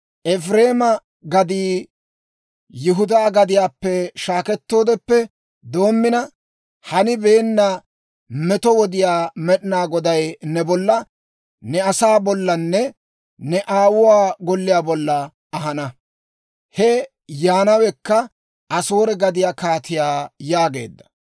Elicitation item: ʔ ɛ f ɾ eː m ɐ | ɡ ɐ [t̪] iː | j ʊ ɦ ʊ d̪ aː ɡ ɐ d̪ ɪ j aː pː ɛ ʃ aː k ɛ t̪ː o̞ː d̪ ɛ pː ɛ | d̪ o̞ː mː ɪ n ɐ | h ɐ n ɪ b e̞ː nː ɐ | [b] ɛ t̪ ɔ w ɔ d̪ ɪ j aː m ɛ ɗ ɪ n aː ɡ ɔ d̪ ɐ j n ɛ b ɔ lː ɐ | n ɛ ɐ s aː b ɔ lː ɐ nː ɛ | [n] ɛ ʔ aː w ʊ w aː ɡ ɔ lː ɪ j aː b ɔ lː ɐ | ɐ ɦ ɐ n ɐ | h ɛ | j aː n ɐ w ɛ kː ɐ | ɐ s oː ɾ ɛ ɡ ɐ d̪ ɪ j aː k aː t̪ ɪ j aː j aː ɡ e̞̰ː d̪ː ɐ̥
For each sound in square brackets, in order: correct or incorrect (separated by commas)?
incorrect, incorrect, correct